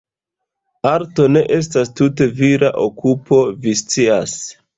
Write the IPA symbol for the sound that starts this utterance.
a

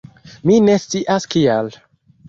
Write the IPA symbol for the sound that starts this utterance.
m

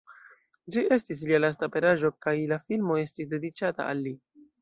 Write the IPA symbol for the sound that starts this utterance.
d͡ʒ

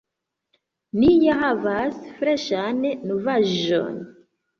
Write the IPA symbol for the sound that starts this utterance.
n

